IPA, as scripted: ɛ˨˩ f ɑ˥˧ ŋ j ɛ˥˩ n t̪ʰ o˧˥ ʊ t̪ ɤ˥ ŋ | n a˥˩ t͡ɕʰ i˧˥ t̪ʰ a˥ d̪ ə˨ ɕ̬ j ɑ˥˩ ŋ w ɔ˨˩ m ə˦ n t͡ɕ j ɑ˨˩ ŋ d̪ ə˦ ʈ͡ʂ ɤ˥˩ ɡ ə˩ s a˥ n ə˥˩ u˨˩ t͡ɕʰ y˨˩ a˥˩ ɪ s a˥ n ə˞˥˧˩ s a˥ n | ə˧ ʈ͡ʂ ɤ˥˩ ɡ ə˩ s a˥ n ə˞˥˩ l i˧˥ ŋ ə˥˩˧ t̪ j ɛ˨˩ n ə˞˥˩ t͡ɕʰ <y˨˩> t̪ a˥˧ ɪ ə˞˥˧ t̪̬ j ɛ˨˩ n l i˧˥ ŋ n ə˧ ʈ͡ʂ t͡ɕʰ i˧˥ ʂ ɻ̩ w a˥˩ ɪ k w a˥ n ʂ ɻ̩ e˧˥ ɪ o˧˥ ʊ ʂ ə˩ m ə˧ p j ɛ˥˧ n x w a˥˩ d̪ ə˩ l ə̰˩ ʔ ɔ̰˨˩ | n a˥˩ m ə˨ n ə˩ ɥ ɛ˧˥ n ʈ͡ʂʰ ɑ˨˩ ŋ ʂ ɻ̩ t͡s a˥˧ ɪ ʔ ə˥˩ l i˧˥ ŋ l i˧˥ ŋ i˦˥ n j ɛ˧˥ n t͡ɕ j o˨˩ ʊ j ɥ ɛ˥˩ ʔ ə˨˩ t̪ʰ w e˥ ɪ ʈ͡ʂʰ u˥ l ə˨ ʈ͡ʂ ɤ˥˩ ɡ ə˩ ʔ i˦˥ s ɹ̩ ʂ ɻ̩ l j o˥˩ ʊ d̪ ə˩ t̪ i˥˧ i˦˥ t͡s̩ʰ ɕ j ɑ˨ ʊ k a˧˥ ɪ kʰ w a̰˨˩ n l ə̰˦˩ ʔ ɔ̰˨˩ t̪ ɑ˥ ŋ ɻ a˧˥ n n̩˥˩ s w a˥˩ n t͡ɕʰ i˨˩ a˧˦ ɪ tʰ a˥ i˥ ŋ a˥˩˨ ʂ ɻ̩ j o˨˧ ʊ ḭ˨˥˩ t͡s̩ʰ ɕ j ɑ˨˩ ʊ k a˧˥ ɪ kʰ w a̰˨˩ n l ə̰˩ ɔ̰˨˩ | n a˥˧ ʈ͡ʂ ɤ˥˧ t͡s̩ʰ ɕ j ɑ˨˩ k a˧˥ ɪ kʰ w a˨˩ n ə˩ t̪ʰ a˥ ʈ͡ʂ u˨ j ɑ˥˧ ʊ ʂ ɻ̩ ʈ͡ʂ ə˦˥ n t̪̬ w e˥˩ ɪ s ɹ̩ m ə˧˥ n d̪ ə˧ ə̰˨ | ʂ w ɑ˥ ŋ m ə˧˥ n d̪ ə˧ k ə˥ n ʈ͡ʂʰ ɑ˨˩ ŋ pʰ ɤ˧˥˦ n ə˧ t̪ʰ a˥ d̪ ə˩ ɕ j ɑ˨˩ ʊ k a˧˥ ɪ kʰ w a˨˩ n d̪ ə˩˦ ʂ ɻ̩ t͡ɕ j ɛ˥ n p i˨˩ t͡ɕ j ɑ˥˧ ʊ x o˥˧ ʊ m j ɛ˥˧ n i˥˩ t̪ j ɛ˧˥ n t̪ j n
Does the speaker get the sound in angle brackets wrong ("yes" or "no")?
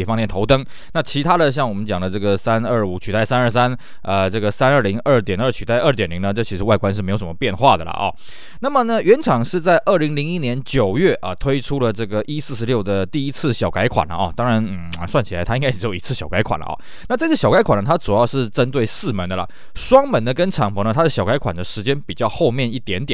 no